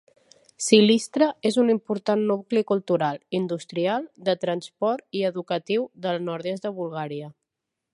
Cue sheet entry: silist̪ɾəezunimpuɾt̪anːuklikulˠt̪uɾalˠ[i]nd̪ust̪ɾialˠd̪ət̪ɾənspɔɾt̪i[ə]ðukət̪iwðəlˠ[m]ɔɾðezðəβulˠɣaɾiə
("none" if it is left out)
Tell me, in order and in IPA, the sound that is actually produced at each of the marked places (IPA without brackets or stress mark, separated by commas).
i, ə, n